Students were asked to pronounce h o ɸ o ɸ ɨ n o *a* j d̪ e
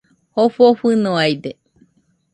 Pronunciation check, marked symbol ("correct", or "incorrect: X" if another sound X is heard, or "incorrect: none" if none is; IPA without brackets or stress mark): correct